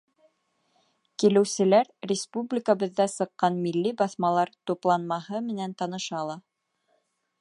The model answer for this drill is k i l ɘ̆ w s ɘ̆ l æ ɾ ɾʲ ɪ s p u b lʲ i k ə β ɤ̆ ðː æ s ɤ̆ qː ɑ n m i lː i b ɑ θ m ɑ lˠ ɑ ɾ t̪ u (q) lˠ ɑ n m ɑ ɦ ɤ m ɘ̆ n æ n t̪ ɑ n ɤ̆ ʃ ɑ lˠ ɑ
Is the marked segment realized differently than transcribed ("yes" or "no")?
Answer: yes